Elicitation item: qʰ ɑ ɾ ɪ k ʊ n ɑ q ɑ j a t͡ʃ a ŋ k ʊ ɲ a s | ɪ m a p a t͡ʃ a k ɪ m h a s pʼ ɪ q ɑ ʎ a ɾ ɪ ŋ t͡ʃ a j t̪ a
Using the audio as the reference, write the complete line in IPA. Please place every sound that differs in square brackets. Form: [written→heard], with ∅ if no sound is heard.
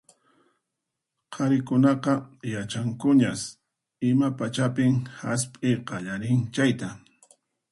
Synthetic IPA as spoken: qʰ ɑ ɾ ɪ k ʊ n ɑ q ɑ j a t͡ʃ a ŋ k ʊ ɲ a s | ɪ m a p a t͡ʃ a [k→p] ɪ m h a s pʼ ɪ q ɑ ʎ a ɾ ɪ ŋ t͡ʃ a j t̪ a